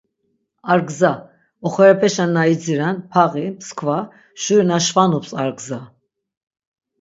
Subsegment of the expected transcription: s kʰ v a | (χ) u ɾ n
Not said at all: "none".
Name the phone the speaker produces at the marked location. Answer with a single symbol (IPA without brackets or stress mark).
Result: ʃ